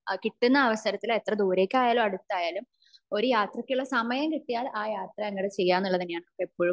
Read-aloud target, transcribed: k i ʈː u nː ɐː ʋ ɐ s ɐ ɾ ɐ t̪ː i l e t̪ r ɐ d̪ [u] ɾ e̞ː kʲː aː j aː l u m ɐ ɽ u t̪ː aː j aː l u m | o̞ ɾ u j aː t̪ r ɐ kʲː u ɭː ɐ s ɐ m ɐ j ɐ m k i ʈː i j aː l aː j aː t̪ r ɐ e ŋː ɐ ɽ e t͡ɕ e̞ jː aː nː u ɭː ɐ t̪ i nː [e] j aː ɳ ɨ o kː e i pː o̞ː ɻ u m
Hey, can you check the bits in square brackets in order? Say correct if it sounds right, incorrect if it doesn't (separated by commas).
incorrect, correct